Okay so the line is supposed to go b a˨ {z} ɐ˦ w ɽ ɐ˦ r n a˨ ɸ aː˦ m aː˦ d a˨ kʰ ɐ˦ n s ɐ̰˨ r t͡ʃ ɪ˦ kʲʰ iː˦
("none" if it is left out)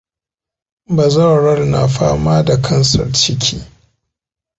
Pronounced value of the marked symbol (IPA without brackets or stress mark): z